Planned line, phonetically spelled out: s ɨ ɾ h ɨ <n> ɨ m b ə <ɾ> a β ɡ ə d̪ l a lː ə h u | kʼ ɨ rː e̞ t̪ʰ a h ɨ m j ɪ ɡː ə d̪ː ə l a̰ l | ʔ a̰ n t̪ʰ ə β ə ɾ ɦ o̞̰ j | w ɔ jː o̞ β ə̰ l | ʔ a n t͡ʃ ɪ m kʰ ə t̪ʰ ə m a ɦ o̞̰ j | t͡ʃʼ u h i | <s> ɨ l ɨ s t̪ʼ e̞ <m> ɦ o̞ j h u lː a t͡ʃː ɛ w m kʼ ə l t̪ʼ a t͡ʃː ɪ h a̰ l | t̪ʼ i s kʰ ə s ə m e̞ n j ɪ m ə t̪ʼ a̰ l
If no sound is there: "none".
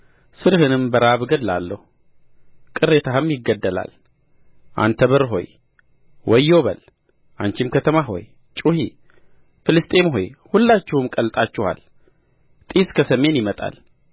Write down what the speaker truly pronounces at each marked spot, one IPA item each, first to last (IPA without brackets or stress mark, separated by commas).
n, ɾ, f, m